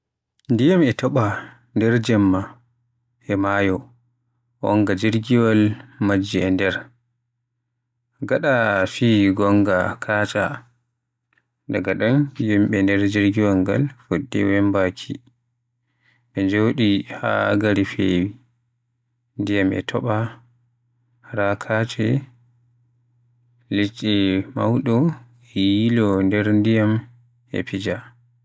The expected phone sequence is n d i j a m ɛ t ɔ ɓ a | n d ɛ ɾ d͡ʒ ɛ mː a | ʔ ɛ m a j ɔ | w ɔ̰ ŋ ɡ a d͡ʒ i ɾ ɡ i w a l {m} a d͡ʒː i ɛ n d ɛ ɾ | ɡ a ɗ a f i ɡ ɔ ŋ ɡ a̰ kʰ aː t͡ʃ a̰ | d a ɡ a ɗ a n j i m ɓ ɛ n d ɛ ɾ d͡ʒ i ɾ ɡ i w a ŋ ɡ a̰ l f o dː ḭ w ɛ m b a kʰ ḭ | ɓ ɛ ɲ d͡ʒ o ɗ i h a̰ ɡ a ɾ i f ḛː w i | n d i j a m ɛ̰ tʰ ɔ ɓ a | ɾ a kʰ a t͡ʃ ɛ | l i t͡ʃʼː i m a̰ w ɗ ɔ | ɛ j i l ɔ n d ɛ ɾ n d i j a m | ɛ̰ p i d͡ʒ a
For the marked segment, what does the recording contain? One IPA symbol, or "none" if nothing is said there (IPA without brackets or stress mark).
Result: m